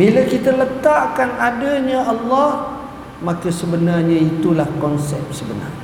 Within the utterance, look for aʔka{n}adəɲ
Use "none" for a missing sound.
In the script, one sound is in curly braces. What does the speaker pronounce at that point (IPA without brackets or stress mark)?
n